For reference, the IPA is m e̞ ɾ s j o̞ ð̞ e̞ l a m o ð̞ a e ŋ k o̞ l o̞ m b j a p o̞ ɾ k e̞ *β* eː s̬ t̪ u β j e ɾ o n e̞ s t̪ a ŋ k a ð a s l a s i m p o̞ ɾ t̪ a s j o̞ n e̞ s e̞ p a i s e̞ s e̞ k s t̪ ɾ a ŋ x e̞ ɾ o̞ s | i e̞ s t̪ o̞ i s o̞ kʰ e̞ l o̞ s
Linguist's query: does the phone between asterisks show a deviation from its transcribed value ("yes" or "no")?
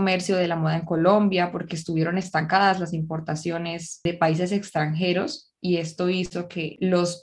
yes